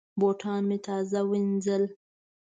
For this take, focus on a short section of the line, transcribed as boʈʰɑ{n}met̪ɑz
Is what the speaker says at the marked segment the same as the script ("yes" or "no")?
yes